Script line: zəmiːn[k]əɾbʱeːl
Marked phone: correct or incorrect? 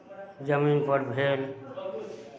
incorrect